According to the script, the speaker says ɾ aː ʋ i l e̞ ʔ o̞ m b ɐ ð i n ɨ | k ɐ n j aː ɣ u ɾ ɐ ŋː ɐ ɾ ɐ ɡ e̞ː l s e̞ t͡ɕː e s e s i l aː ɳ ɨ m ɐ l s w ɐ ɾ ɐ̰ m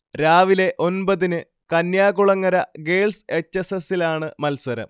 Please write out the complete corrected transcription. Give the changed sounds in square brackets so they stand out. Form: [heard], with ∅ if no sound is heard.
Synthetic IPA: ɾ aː ʋ i l e̞ ʔ o̞ [n] b ɐ ð i n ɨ | k ɐ n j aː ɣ u [ɭ] ɐ ŋː ɐ ɾ ɐ ɡ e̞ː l s e̞ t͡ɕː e s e s i l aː ɳ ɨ m ɐ l s w ɐ ɾ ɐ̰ m